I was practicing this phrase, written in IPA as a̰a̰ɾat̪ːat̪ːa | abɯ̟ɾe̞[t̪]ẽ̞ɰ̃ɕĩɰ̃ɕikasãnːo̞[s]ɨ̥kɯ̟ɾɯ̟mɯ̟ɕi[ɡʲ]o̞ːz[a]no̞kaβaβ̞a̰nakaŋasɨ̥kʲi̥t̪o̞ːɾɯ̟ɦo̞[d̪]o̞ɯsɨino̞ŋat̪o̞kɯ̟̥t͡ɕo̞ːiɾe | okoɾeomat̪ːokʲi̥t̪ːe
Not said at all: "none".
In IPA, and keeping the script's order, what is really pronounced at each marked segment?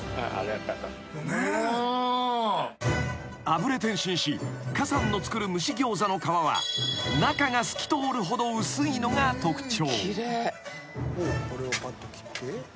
t̪, t͡s, ɡʲ, a, d̪

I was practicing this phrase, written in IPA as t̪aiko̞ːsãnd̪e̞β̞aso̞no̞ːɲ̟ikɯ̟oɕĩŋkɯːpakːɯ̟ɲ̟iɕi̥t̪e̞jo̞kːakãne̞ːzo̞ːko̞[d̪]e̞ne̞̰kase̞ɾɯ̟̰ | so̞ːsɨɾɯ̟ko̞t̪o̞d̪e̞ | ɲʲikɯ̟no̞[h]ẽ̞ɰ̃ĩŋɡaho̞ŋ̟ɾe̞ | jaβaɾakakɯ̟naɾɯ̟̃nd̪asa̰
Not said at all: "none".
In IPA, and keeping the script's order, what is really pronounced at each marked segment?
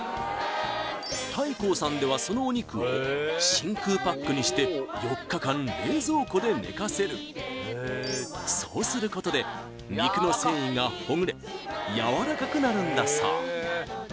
d̪, s

